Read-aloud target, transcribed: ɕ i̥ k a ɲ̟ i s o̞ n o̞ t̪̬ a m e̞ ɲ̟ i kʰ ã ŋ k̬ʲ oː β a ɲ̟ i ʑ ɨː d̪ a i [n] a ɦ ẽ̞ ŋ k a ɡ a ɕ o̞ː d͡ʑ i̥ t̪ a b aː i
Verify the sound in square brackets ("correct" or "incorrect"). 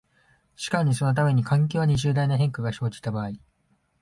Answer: correct